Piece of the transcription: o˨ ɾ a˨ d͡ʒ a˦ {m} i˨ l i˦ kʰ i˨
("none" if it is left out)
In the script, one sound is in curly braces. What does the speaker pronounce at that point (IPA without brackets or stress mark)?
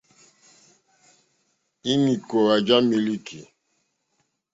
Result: m